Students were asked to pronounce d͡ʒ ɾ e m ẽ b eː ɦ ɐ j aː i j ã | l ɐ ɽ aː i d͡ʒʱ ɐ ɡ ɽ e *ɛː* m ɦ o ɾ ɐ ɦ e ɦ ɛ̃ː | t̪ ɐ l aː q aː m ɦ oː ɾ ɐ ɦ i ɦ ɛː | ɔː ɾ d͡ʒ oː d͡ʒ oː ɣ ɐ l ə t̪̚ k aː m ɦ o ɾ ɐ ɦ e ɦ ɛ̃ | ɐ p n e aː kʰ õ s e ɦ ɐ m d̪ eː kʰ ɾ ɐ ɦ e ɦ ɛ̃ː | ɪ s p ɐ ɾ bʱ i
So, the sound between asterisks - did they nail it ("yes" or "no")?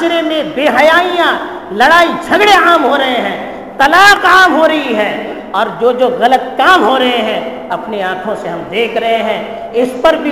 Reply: no